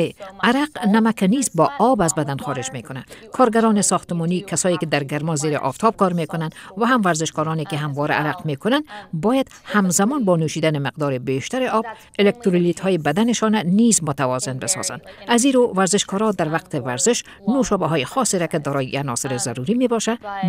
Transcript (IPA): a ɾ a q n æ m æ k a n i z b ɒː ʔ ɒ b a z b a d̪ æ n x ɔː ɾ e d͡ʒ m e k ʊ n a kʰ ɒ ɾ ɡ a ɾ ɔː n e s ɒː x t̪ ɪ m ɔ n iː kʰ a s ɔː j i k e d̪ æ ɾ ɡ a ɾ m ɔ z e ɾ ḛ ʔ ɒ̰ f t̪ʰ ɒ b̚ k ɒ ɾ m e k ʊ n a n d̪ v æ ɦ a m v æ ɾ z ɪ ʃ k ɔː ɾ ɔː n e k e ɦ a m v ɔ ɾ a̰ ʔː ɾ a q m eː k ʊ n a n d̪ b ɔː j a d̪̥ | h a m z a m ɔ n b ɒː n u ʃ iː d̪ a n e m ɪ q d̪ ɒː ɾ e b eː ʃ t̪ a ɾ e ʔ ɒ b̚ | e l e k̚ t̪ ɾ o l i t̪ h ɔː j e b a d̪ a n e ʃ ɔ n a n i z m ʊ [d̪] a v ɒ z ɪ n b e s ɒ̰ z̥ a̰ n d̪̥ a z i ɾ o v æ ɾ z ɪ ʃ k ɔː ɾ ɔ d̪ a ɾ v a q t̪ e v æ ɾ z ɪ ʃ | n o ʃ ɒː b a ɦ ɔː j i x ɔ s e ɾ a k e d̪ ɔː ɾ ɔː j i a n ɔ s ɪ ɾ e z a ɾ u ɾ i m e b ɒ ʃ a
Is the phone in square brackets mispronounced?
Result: yes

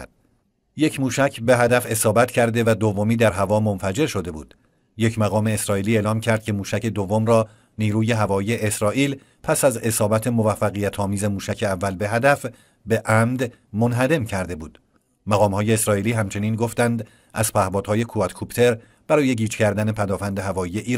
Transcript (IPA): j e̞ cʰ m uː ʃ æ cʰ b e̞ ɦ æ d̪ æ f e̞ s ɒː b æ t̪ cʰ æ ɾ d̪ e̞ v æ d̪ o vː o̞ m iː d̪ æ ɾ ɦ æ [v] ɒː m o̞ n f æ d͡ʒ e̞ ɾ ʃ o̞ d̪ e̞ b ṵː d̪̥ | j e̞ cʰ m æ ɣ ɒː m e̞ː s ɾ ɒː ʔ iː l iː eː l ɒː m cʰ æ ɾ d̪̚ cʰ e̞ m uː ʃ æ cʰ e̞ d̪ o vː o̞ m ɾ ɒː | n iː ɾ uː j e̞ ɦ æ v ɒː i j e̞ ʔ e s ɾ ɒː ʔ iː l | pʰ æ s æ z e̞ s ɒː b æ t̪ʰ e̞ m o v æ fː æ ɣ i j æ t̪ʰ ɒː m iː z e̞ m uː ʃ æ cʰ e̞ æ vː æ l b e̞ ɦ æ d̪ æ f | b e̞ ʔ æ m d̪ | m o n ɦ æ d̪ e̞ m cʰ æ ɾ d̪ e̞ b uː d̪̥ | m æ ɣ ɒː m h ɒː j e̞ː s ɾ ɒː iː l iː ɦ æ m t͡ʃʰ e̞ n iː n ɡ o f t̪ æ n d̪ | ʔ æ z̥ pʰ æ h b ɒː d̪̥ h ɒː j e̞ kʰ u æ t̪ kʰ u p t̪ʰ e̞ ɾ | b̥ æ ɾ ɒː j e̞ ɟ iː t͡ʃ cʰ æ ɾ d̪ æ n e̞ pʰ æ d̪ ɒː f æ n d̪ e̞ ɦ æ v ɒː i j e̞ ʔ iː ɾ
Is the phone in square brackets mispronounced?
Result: no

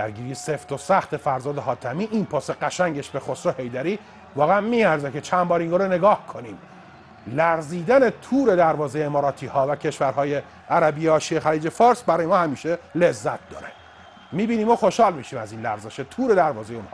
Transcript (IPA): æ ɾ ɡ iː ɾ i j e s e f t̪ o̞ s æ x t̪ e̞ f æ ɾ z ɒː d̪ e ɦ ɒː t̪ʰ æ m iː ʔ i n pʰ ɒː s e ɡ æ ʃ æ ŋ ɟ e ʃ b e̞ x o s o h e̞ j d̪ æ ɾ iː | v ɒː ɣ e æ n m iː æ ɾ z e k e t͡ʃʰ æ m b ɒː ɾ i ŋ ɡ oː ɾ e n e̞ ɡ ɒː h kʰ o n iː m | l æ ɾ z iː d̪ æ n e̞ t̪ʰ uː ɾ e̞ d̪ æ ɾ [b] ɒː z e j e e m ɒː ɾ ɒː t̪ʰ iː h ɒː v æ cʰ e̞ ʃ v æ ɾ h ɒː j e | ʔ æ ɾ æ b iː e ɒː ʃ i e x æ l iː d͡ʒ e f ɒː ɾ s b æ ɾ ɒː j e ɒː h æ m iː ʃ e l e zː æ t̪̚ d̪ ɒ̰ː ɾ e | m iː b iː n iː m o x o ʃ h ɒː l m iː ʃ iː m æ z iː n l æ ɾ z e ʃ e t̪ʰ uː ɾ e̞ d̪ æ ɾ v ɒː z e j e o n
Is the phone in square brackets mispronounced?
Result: yes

